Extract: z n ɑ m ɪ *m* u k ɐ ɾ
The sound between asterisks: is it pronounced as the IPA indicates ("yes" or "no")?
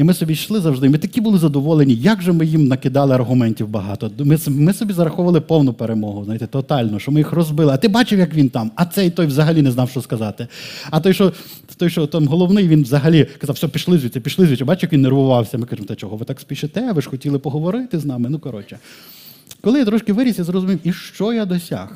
no